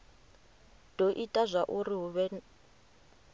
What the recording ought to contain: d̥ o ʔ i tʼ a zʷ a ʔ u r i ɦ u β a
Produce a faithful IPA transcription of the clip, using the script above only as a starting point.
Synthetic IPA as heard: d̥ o ʔ i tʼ a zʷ a ʔ u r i ɦ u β ɛ